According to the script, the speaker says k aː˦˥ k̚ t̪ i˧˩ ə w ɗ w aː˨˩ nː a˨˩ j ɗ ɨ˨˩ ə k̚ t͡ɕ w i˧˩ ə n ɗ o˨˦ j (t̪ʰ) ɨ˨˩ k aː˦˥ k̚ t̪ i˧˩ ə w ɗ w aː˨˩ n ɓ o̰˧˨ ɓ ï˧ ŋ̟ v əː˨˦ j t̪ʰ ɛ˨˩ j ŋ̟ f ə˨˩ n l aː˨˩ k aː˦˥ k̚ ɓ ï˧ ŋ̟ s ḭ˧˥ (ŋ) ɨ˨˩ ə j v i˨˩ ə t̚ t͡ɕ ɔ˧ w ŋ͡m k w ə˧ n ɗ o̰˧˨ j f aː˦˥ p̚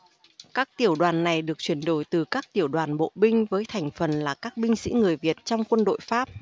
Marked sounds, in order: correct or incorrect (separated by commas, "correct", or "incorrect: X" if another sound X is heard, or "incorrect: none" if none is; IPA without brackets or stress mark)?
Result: incorrect: t̪, correct